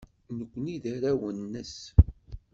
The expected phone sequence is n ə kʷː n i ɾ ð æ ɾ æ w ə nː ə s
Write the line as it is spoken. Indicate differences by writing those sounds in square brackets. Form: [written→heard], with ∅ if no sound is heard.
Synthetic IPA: n ə kʷː n i [ɾ→∅] ð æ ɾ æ w ə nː ə s